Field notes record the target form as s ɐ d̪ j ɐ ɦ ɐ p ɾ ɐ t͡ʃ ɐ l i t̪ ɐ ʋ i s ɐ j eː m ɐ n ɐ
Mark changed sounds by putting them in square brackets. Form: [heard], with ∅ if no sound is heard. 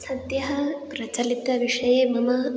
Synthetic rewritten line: s ɐ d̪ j ɐ ɦ ɐ p ɾ ɐ t͡ʃ ɐ l i t̪ ɐ ʋ i [ʂ] ɐ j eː m ɐ [m] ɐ